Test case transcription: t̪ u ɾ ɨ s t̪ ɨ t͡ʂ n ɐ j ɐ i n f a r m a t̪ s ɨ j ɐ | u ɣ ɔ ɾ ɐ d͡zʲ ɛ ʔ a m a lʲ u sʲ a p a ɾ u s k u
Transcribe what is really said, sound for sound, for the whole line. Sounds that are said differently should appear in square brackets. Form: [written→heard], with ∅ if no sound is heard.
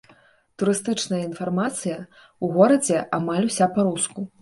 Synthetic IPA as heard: t̪ u ɾ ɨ s t̪ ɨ t͡ʂ n ɐ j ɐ i n f a r m a t̪ s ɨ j ɐ | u ɣ ɔ ɾ ɐ d͡zʲ ɛ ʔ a m a lʲ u sʲ a p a ɾ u s k u

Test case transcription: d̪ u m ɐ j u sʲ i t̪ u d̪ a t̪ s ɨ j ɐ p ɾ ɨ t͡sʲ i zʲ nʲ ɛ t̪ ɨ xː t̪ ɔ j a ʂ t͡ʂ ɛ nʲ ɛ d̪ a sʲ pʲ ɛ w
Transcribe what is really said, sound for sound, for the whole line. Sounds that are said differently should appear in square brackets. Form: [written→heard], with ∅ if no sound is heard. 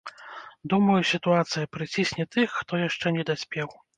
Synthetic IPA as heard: d̪ u m ɐ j u sʲ i t̪ u [d̪→∅] a t̪ s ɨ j ɐ p ɾ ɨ t͡sʲ i [zʲ→sʲ] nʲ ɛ t̪ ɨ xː t̪ ɔ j a ʂ t͡ʂ ɛ nʲ ɛ d̪ a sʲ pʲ ɛ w

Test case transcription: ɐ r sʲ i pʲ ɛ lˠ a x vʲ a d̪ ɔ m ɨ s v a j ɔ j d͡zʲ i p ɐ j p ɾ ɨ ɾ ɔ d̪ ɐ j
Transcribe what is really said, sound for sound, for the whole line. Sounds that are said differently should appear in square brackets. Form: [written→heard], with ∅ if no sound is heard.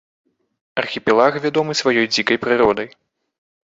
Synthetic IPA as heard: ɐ r [sʲ→xʲ] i pʲ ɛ lˠ a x vʲ a d̪ ɔ m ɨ s v a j ɔ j d͡zʲ i [p→k] ɐ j p ɾ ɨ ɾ ɔ d̪ ɐ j

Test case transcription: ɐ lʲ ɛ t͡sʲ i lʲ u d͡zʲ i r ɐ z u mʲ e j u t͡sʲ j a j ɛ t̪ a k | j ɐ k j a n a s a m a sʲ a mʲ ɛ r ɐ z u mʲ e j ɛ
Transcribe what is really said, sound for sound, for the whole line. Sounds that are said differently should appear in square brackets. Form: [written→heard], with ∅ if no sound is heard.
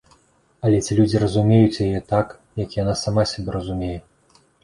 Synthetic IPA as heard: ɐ lʲ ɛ t͡sʲ i lʲ u d͡zʲ i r ɐ z u mʲ e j u t͡sʲ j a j ɛ t̪ a k | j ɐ k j a n a s a m a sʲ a [mʲ→bʲ] ɛ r ɐ z u mʲ e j ɛ

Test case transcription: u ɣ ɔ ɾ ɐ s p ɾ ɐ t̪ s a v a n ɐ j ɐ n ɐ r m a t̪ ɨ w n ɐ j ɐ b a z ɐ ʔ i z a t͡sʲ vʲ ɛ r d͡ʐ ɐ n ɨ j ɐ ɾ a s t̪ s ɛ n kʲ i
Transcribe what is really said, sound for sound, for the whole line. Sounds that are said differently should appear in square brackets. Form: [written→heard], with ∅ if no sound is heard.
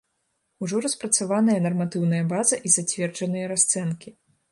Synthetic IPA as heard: u [ɣ→ʐ] ɔ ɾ ɐ s p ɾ ɐ t̪ s a v a n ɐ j ɐ n ɐ r m a t̪ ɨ w n ɐ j ɐ b a z ɐ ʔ i z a t͡sʲ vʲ ɛ r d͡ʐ ɐ n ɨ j ɐ ɾ a s t̪ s ɛ n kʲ i

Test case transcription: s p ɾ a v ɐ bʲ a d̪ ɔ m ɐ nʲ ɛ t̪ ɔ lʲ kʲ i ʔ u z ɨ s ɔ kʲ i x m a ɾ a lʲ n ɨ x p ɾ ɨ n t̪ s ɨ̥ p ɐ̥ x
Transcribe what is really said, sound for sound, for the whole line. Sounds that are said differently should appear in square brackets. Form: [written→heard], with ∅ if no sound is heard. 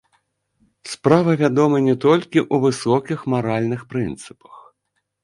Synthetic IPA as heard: s p ɾ a v ɐ [bʲ→vʲ] a d̪ ɔ m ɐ nʲ ɛ t̪ ɔ lʲ kʲ i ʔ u [z→v] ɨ s ɔ kʲ i x m a ɾ a lʲ n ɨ x p ɾ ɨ n t̪ s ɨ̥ p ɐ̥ x

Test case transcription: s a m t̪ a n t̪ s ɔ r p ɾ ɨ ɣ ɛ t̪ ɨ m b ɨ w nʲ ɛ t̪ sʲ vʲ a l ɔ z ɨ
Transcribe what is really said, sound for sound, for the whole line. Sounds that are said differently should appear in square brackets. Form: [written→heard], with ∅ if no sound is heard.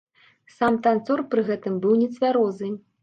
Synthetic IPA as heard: s a m t̪ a n t̪ s ɔ r p ɾ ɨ ɣ ɛ t̪ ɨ m b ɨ w nʲ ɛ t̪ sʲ vʲ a [l→ɾ] ɔ z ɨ

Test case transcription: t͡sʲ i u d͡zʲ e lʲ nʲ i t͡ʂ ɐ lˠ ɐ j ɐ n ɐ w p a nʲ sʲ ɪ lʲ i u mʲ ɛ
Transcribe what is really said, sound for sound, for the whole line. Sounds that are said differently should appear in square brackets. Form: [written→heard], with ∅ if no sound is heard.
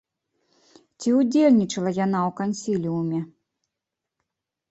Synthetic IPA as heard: t͡sʲ i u d͡zʲ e lʲ nʲ i t͡ʂ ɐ lˠ ɐ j [ɐ→a] n [ɐ→a] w [p→k] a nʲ sʲ [ɪ→i] lʲ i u mʲ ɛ

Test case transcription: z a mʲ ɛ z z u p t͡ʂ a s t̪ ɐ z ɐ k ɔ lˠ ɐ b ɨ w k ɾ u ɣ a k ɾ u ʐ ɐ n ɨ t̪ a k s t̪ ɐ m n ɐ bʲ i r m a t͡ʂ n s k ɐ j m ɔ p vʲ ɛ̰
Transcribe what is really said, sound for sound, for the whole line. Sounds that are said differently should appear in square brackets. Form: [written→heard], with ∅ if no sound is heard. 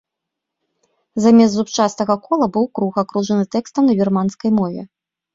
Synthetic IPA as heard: z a mʲ ɛ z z u p t͡ʂ a s t̪ ɐ [z→ɣ] ɐ k ɔ lˠ ɐ b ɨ w k ɾ u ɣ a k ɾ u ʐ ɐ n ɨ t̪ [a→ɛ] k s t̪ ɐ m n ɐ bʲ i r m a [t͡ʂ→∅] n s k ɐ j m ɔ [p→∅] vʲ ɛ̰

